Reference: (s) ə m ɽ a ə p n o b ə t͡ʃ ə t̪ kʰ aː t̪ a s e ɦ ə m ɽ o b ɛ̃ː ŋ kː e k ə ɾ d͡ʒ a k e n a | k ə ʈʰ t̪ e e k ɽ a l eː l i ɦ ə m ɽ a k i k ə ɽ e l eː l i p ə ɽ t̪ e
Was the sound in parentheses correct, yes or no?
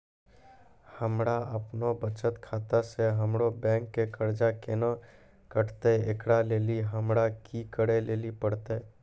no